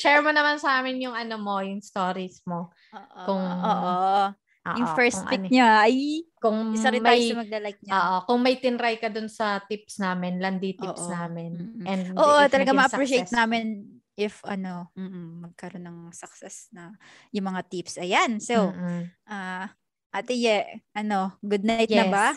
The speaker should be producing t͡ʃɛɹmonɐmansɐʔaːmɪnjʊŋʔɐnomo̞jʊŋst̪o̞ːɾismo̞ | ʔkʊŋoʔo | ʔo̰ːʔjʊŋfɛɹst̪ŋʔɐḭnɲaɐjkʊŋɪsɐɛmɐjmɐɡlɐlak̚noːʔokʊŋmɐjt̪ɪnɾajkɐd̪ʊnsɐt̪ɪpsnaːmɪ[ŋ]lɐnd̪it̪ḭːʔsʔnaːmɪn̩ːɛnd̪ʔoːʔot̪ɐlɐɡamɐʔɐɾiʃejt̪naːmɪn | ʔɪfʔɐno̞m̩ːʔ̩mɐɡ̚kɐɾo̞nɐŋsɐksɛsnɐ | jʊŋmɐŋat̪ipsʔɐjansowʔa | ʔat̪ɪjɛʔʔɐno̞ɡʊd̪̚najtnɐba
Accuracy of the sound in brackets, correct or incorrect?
incorrect